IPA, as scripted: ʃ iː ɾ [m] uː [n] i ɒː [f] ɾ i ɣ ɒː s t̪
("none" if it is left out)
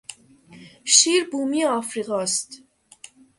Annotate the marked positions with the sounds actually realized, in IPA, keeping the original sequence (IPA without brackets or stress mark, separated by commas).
b, m, f